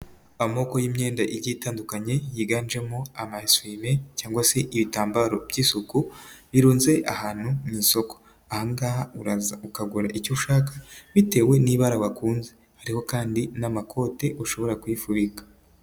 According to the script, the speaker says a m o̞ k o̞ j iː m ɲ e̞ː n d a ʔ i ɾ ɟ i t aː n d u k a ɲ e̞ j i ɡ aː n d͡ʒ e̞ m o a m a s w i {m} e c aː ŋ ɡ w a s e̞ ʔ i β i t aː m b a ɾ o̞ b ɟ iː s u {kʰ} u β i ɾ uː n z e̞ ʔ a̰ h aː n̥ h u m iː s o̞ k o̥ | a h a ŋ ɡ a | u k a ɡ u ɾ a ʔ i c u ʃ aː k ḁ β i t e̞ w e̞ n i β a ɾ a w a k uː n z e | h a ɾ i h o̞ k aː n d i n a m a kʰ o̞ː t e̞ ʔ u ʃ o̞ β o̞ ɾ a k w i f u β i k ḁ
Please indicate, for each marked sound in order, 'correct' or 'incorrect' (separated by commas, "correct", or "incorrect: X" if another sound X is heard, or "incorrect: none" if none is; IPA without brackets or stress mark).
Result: correct, incorrect: k